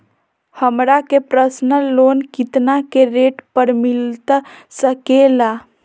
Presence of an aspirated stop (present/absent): absent